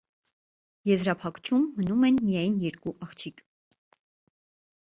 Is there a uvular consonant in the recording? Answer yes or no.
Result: yes